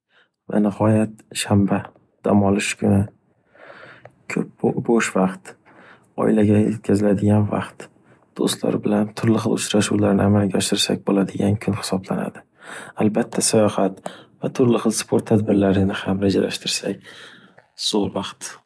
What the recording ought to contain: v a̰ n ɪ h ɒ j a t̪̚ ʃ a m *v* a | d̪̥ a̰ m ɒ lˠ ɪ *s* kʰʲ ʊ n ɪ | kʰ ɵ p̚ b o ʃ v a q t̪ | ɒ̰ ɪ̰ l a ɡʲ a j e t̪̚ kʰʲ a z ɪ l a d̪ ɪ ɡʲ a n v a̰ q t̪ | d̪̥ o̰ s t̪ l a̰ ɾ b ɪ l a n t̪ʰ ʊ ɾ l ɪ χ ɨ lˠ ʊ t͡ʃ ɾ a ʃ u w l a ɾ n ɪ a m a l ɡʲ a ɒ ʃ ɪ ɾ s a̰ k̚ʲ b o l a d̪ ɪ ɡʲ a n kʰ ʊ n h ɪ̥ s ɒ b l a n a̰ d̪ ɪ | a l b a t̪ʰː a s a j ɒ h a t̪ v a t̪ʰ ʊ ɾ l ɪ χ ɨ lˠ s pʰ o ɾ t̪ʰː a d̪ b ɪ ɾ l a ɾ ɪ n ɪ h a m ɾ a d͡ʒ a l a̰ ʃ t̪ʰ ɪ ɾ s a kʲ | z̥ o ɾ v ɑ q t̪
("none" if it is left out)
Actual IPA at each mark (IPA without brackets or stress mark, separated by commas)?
b, ʃ